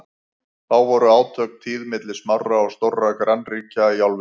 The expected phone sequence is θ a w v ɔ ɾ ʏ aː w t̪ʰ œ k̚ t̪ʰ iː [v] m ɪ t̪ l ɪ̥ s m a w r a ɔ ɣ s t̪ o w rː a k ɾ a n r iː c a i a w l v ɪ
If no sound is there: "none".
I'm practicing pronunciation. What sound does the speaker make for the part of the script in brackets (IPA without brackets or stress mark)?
ð